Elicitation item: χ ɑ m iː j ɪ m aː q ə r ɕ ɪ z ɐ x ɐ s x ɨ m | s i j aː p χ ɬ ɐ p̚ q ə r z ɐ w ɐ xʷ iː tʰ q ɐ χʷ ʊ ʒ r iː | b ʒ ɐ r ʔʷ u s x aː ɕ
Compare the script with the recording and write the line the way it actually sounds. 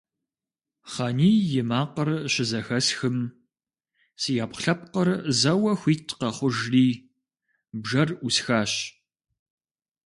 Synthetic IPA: χ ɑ n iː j ɪ m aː q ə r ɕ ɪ z ɐ x ɐ s x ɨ m | s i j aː p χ ɬ ɐ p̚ q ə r z ɐ w ɐ xʷ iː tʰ q ɐ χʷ ʊ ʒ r iː | b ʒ ɐ r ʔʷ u s x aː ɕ

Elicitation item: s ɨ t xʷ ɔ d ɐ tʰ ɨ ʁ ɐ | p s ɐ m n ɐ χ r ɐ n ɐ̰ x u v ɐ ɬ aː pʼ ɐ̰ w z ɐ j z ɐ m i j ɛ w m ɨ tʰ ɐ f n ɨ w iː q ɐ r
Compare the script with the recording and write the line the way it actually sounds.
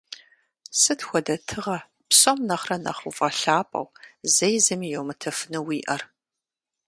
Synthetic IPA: s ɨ t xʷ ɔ d ɐ tʰ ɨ ʁ ɐ | p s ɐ m n ɐ χ r ɐ n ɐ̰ χ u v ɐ ɬ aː pʼ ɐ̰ w z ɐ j z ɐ m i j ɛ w m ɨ tʰ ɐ f n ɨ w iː ʔ ɐ r

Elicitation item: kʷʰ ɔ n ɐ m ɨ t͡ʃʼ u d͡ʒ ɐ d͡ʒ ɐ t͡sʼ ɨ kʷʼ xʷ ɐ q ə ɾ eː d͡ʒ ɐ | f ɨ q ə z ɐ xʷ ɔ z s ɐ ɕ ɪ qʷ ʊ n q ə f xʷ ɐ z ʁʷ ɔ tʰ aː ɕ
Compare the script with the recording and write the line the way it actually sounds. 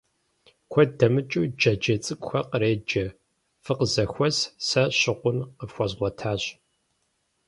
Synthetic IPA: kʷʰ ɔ d ɐ m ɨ t͡ʃʼ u d͡ʒ ɐ d͡ʒ ɐ t͡sʼ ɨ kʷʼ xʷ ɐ q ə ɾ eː d͡ʒ ɐ | f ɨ q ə z ɐ xʷ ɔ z s ɐ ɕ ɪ qʷ ʊ n q ə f xʷ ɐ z ʁʷ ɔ tʰ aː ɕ

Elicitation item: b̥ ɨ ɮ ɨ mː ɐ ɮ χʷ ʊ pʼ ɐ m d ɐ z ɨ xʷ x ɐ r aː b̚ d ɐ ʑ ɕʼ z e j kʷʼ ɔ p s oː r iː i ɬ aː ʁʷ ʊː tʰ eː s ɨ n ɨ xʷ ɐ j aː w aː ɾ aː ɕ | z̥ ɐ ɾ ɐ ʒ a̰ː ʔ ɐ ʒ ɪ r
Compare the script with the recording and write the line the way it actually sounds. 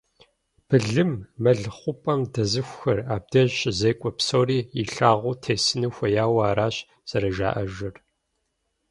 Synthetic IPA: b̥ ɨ ɮ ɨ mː ɐ ɮ χʷ ʊ pʼ ɐ m d ɐ z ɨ xʷ x ɐ r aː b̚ d ɐ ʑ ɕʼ z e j kʷʼ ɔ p s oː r iː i ɬ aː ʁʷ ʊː tʰ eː s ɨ n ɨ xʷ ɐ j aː w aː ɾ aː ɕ | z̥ ɐ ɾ ɐ ʒ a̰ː ʔ ɐ ʒ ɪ r

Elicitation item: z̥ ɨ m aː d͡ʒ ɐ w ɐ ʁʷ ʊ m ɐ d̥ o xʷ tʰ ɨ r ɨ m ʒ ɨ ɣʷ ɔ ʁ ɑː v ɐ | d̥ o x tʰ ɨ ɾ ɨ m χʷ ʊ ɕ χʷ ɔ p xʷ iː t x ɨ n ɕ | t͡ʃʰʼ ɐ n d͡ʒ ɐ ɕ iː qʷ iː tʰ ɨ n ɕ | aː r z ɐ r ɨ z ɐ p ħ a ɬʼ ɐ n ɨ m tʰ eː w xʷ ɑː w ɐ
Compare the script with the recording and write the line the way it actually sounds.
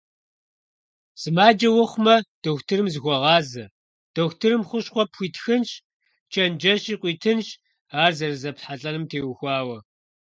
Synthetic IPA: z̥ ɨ m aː d͡ʒ ɐ w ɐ χʷ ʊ m ɐ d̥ o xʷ tʰ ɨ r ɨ m z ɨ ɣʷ ɔ ʁ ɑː z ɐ | d̥ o x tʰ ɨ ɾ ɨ m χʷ ʊ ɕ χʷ ɔ p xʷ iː t x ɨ n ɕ | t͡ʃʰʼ ɐ n d͡ʒ ɐ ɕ iː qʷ iː tʰ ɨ n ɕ | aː r z ɐ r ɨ z ɐ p ħ a ɬʼ ɐ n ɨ m tʰ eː w xʷ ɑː w ɐ

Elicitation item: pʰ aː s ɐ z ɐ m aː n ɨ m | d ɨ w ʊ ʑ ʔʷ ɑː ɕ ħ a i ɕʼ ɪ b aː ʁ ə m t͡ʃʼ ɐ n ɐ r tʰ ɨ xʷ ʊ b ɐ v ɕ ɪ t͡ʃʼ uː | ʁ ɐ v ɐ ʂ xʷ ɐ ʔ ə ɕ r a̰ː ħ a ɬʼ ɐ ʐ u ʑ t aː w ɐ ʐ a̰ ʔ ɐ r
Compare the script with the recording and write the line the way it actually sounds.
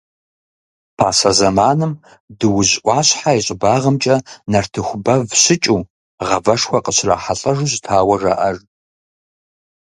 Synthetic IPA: pʰ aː s ɐ z ɐ m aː n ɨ m | d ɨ w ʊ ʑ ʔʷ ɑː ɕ ħ a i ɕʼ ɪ b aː ʁ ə m t͡ʃʼ ɐ n ɐ r tʰ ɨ xʷ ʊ b ɐ v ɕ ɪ t͡ʃʼ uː | ʁ ɐ v ɐ ʂ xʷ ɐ q ə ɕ r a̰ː ħ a ɬʼ ɐ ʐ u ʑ tʰ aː w ɐ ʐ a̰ ʔ ɐ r

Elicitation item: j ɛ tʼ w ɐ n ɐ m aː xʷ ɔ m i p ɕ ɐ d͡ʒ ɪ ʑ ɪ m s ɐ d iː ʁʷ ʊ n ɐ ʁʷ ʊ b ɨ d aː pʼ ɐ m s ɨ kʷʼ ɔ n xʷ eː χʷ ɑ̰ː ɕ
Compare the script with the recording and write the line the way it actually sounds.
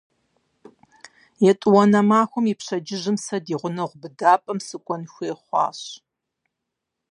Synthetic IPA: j ɛ tʼ w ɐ n ɐ m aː xʷ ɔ m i p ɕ ɐ d͡ʒ ɪ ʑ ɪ m s ɐ d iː ʁʷ ʊ n ɐ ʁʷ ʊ b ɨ d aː pʼ ɐ m s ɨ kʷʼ ɔ n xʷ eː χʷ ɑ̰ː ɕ

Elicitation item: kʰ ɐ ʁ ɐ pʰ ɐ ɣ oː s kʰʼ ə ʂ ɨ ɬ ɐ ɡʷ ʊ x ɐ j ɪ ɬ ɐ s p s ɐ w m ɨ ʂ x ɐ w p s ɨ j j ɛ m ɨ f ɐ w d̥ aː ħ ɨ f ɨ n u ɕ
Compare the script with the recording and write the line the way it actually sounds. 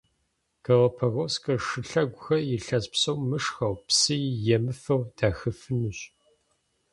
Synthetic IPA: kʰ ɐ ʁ ɐ pʰ ɐ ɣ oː s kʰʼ ɐ ʂ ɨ ɬ ɐ ɡʷ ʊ x ɐ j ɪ ɬ ɐ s p s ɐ w m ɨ ʂ x ɐ w p s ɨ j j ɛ m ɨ f ɐ w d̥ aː x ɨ f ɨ n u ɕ

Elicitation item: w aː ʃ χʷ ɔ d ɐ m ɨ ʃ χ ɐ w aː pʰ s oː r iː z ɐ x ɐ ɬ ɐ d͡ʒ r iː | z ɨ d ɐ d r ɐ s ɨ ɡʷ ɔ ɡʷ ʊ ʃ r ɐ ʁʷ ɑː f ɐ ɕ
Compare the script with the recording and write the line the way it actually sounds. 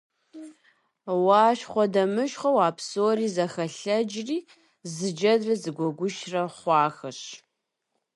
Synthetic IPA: w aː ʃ χʷ ɔ d ɐ m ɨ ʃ χ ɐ w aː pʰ s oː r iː z ɐ x ɐ ɬ ɐ d͡ʒ r iː | z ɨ d͡ʒ ɐ d r ɐ z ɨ ɡʷ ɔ ɡʷ ʊ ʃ r ɐ χʷ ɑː x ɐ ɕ

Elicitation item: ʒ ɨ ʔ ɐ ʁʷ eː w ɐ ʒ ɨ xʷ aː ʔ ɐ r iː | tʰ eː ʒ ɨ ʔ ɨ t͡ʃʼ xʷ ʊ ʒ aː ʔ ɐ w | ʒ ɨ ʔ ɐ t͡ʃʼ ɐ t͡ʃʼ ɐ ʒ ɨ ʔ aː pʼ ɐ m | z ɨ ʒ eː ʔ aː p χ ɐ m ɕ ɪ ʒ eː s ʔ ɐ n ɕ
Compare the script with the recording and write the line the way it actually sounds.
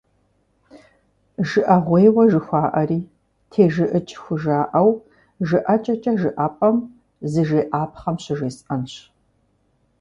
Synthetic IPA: ʒ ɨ ʔ ɐ ʁʷ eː w ɐ ʒ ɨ xʷ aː ʔ ɐ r iː | tʰ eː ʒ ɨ ʔ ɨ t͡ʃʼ xʷ ʊ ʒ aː ʔ ɐ w | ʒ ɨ ʔ ɐ t͡ʃʼ ɐ t͡ʃʼ ɐ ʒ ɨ ʔ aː pʼ ɐ m | z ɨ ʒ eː ʔ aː p χ ɐ m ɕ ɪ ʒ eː s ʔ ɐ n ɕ

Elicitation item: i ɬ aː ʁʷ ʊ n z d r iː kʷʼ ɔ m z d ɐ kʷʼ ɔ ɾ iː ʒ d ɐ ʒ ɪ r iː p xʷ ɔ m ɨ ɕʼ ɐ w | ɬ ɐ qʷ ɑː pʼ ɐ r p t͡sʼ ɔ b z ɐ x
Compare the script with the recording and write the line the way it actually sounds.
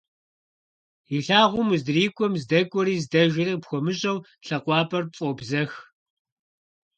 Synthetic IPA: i ɬ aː ʁʷ ʊ m z d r iː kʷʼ ɔ m z d ɐ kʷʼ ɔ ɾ iː z d ɐ ʒ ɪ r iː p xʷ ɔ m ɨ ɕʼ ɐ w | ɬ ɐ qʷ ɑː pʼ ɐ r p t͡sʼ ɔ b z ɐ x

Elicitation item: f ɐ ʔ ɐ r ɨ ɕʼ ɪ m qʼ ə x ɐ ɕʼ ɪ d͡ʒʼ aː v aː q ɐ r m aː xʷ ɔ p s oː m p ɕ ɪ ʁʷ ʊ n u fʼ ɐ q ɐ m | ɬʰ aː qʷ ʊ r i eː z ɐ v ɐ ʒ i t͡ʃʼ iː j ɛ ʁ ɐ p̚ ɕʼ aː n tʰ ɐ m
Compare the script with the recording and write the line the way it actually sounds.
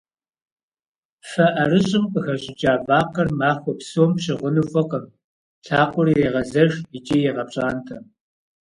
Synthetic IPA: f ɐ ʔ ɐ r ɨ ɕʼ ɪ m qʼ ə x ɐ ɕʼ ɪ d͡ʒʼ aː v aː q ɐ r m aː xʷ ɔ p s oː m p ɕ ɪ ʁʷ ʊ n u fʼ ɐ q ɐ m | ɬʰ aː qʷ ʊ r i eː ʁ ɐ z ɐ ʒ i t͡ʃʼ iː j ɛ ʁ ɐ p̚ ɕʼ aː n tʰ ɐ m

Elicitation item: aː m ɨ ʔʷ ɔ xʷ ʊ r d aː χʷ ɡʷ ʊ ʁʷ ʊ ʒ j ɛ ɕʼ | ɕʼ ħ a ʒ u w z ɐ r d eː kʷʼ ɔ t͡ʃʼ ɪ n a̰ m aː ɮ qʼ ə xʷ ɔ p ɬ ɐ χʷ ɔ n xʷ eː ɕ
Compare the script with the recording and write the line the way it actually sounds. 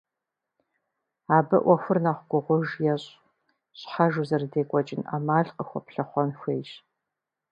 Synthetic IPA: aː b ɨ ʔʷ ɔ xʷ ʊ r n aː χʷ ɡʷ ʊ ʁʷ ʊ ʒ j ɛ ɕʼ | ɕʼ ħ a ʒ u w z ɐ r d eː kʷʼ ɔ t͡ʃʼ ɪ n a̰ m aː ɮ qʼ ə xʷ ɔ p ɬ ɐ χʷ ɔ n xʷ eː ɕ

